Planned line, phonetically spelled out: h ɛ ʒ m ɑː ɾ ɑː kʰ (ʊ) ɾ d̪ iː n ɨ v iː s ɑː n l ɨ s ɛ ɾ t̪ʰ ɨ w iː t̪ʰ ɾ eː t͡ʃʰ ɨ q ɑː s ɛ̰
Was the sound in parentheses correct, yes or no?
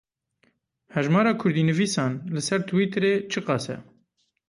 yes